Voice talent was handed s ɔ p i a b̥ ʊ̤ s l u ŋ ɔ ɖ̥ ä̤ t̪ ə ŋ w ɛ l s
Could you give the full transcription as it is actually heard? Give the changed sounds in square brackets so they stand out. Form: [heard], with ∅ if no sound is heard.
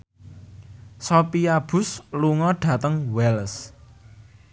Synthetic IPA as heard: s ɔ p i a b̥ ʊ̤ s l u ŋ ɔ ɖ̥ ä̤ t̪ ə ŋ w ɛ l s

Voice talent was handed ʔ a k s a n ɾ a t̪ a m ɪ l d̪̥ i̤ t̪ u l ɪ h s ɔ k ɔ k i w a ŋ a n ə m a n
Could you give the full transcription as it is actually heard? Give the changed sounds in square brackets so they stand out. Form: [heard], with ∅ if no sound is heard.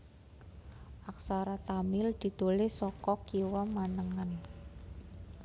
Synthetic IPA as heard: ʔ a k s a [∅] ɾ a t̪ a m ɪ l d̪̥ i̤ t̪ u l ɪ h s ɔ k ɔ k i w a [m] a n ə [ŋ] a n

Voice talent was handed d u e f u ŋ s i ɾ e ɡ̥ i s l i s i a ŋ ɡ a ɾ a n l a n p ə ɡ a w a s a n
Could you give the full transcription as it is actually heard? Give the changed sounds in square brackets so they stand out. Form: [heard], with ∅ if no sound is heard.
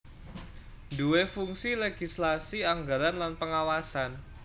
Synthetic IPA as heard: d u e f u ŋ s i [l] e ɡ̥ i s l [a] s i a ŋ ɡ a ɾ a n l a n p ə [ŋ] a w a s a n

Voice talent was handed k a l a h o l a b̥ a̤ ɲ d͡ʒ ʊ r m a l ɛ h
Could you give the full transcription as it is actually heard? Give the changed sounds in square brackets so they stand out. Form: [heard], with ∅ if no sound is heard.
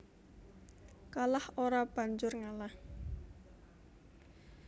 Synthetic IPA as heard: k a l a h o [ɾ] a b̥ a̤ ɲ d͡ʒ ʊ r [ŋ] a l [a] h

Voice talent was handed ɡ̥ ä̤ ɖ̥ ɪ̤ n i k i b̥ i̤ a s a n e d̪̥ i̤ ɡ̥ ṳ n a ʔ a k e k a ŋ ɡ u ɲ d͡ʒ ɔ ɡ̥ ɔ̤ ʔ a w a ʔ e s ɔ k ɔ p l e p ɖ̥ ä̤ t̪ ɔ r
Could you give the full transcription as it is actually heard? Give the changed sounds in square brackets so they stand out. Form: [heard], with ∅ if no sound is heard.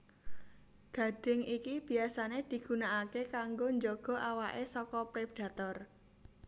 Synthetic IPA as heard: ɡ̥ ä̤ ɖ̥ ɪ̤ [ŋ] i k i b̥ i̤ a s a n e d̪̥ i̤ ɡ̥ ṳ n a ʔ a k e k a ŋ ɡ [o] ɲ d͡ʒ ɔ ɡ̥ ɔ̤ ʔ a w a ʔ e s ɔ k ɔ p [ɾ] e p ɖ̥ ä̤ t̪ ɔ r

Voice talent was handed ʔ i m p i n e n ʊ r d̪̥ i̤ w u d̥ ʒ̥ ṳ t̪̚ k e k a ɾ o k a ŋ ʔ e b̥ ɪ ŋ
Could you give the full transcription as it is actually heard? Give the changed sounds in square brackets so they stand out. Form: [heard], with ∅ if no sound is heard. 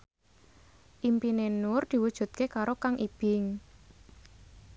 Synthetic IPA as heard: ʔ i m p i n e n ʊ r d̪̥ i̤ w u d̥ ʒ̥ ṳ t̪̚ k e k a ɾ o k a ŋ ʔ [i] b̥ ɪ ŋ

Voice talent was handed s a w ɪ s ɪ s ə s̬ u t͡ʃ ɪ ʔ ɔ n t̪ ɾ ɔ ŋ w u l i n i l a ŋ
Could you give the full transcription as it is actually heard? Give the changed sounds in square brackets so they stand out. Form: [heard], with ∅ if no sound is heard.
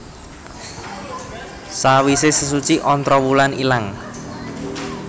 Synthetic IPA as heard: s a w [i] s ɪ s ə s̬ u t͡ʃ [i] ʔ ɔ n t̪ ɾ ɔ [∅] w u l [a] n i l a ŋ

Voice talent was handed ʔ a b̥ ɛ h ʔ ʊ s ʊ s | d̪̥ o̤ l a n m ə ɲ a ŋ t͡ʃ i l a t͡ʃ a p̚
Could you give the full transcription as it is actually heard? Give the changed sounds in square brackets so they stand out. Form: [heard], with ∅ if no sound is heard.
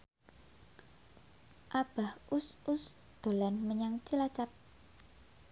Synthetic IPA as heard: ʔ a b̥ [a] h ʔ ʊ s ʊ s | d̪̥ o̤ l a n m ə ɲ a ŋ t͡ʃ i l a t͡ʃ a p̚

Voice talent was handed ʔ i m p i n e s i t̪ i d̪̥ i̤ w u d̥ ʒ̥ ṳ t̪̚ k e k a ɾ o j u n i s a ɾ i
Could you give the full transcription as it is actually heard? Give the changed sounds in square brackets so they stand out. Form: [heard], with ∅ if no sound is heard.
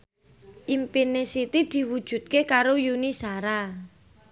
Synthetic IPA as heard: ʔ i m p i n e s i t̪ i d̪̥ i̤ w u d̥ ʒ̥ ṳ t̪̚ k e k a ɾ o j u n i s a ɾ [a]

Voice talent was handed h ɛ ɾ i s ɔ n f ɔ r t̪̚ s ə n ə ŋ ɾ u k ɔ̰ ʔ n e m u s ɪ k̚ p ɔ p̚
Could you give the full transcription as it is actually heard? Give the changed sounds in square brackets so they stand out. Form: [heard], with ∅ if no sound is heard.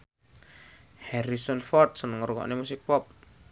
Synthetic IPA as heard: h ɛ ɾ i s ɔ n f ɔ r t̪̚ s ə n ə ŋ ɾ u k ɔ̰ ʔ n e m u s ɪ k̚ p ɔ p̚

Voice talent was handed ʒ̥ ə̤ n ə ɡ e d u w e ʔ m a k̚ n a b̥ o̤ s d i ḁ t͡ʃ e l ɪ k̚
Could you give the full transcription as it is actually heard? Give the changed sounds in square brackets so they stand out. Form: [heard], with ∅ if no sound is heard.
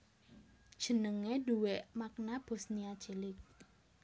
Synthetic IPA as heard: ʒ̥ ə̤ n ə [ŋ] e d u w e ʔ m a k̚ n a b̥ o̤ s [n] i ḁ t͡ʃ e l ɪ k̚

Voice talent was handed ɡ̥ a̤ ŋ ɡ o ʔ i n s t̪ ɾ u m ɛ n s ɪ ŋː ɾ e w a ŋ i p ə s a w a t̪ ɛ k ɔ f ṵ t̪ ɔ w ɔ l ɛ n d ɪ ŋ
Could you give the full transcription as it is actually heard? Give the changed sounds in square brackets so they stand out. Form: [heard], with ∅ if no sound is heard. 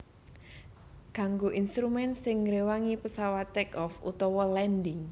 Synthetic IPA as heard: ɡ̥ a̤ ŋ ɡ o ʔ i n s t̪ ɾ u m ɛ n s ɪ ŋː ɾ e w a ŋ i p ə s a w a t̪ ɛ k ɔ f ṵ t̪ ɔ w ɔ l ɛ n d ɪ ŋ

